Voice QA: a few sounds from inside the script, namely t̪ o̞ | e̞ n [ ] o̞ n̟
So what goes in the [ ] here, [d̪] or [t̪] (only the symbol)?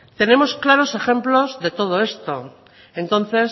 t̪